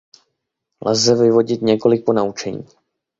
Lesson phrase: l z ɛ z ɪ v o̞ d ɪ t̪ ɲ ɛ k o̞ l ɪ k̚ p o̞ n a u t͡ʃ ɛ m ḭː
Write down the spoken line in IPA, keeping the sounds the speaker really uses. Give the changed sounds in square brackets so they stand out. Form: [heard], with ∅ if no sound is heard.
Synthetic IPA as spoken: l z ɛ [v] ɪ v o̞ [ɟ] ɪ t̪ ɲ ɛ k o̞ l ɪ k̚ p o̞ n a u t͡ʃ ɛ [ɲ] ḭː

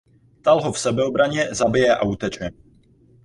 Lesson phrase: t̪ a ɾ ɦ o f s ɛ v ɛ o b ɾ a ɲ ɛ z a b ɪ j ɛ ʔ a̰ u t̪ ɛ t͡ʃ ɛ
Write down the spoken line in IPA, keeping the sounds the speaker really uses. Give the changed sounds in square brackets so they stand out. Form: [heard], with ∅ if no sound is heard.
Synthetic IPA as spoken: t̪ a [l] ɦ o f s ɛ [b] ɛ o b ɾ a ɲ ɛ z a b ɪ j ɛ ʔ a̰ u t̪ ɛ t͡ʃ ɛ

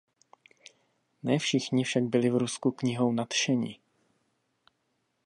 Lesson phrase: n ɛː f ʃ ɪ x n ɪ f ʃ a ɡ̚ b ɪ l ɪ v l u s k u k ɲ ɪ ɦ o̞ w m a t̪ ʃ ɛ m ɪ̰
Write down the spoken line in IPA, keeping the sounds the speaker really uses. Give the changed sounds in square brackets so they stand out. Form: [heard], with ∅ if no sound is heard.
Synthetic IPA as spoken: n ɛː f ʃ ɪ x [ɲ] ɪ f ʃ a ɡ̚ b ɪ l ɪ v [ɾ] u s k u k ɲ ɪ ɦ o̞ w [n] a t̪ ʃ ɛ [ɲ] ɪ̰

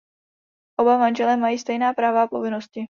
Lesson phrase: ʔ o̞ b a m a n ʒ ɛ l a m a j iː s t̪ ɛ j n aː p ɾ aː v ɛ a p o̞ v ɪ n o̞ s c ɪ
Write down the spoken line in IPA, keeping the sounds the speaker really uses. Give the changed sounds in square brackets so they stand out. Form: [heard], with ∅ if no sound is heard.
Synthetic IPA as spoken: ʔ o̞ b a m a n ʒ ɛ l [ɛ] m a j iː s t̪ ɛ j n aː p ɾ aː v [a] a p o̞ v ɪ n o̞ s c ɪ

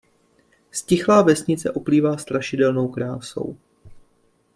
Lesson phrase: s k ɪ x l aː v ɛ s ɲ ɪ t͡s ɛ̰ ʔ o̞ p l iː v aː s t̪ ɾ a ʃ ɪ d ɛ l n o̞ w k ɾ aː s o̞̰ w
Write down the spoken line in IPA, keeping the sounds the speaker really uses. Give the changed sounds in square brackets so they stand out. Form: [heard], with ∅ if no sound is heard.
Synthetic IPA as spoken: s [c] ɪ x l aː v ɛ s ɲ ɪ t͡s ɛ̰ ʔ o̞ p l iː v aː s t̪ ɾ a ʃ ɪ d ɛ l n o̞ w k ɾ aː s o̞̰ w

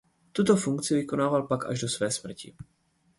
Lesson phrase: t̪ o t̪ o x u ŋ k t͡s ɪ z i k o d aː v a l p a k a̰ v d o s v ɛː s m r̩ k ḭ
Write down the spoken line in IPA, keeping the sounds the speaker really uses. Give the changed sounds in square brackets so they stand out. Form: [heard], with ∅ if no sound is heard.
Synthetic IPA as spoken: t̪ [u] t̪ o [f] u ŋ k t͡s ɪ [v] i k o [n] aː v a l p a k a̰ [ʒ] d o s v ɛː s m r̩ [c] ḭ

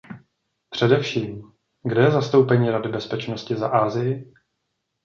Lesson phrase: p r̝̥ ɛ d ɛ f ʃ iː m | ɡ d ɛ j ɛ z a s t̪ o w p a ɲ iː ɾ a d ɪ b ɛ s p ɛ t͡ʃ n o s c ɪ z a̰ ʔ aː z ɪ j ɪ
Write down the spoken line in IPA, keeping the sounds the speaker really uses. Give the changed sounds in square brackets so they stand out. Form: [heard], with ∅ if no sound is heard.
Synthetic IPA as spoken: p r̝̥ ɛ d ɛ f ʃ iː m | ɡ d ɛ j ɛ z a s t̪ o w p [ɛ] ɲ iː ɾ a d ɪ b ɛ s p ɛ t͡ʃ n o s c ɪ z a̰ ʔ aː z ɪ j ɪ

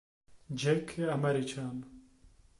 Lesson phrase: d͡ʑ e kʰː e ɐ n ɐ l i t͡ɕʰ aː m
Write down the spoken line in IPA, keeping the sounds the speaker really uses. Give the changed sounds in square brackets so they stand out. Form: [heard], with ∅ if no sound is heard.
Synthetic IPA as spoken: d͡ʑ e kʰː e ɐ [m] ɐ [ɾ] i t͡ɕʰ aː [n]

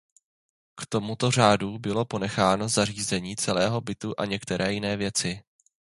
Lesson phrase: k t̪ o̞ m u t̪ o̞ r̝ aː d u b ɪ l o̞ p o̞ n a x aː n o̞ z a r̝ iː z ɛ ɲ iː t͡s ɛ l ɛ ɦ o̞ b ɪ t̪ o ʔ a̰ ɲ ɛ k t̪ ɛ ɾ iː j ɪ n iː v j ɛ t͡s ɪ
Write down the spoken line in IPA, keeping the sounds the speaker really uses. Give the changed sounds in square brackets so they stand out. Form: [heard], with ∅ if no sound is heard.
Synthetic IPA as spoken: k t̪ o̞ m u t̪ o̞ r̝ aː d u b ɪ l o̞ p o̞ n [ɛ] x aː n o̞ z a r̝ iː z ɛ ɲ iː t͡s ɛ l [ɛː] ɦ o̞ b ɪ t̪ [u] ʔ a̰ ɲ ɛ k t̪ ɛ ɾ [ɛː] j ɪ n [ɛː] v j ɛ t͡s ɪ

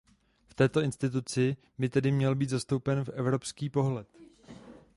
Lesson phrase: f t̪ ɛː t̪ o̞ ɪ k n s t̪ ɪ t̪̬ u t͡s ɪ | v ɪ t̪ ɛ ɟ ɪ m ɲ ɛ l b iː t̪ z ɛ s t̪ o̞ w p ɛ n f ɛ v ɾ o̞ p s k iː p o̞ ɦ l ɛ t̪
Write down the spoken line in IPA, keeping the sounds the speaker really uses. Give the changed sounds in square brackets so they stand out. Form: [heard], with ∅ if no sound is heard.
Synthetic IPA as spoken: f t̪ ɛː t̪ o̞ ɪ [∅] n s t̪ ɪ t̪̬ u t͡s ɪ | [b] ɪ t̪ ɛ [d] ɪ m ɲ ɛ l b iː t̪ z [a] s t̪ o̞ w p ɛ n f ɛ v ɾ o̞ p s k iː p o̞ ɦ l ɛ t̪

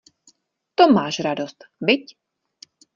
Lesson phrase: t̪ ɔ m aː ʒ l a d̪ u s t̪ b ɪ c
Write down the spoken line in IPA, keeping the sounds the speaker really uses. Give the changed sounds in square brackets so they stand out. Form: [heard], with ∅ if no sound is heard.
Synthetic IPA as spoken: t̪ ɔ m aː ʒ [ɾ] a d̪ [ɔ] s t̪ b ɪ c

